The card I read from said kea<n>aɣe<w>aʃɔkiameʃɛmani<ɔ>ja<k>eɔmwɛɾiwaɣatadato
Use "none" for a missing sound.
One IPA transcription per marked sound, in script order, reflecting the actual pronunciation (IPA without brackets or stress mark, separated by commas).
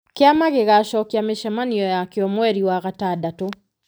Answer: m, ɣ, ɔ, k